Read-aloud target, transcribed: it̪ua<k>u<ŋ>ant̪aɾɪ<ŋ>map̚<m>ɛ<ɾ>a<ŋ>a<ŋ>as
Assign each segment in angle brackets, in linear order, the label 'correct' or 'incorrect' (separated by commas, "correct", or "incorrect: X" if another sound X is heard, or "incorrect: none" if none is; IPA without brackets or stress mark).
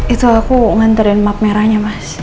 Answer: correct, correct, incorrect: n, correct, correct, incorrect: ɲ, incorrect: m